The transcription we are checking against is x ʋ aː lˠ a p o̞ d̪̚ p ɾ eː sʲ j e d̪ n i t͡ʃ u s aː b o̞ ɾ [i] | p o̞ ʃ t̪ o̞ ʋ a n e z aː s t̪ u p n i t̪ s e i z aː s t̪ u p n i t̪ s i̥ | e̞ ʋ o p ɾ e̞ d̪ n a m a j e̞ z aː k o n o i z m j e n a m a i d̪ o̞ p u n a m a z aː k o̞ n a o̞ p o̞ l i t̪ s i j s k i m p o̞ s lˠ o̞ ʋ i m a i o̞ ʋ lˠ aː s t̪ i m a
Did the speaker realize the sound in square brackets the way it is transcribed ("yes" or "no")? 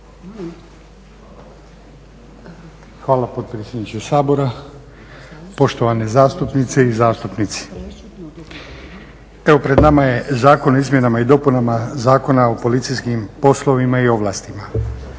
no